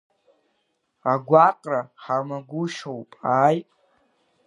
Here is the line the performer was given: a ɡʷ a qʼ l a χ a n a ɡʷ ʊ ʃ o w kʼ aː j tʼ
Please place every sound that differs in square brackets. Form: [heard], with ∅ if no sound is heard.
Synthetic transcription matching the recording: a ɡʷ a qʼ [r] a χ a [m] a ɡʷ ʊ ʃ o w [pʼ] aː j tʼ